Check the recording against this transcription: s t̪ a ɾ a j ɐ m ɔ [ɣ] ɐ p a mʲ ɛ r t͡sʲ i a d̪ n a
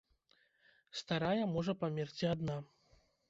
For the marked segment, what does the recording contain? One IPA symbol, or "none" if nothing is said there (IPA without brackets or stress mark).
ʐ